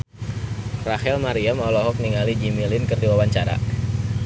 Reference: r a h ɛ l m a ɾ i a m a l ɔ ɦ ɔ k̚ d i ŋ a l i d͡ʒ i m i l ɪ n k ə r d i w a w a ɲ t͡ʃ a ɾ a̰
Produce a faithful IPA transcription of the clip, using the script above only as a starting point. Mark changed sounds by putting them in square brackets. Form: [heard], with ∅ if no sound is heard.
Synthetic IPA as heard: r a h ɛ l m a ɾ i a m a l ɔ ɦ ɔ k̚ [n] i ŋ a l i d͡ʒ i m i l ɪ n k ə r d i w a w a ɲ t͡ʃ a ɾ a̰